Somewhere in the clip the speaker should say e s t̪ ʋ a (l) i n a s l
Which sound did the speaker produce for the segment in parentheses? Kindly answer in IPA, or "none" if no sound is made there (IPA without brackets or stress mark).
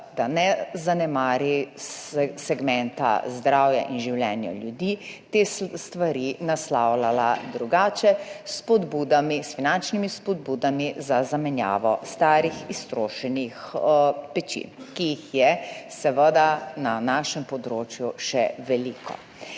ɾ